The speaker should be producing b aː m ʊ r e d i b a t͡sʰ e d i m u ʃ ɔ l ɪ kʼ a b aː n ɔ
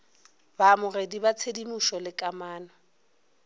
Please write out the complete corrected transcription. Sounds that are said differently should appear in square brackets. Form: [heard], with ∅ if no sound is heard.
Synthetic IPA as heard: b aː m ʊ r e d i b a t͡sʰ e d i m u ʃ ɔ l ɪ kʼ a [m] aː n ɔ